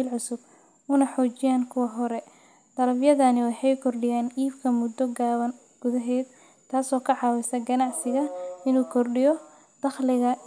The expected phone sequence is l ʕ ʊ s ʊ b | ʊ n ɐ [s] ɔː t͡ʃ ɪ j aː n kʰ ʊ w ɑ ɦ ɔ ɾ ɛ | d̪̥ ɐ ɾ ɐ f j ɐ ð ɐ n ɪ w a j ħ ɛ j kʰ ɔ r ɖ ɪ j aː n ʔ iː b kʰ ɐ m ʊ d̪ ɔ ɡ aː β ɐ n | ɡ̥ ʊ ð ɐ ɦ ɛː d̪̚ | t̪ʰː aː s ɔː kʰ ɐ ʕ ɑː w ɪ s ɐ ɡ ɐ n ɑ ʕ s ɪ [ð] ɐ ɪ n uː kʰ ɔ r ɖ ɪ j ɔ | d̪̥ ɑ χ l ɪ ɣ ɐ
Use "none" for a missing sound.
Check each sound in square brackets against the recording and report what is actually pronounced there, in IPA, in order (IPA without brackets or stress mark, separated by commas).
ħ, ɣ